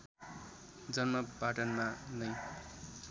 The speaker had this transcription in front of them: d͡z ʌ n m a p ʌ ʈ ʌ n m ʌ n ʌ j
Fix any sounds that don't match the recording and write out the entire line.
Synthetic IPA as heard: d͡z ʌ n m ʌ p a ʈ ʌ n m a n ʌ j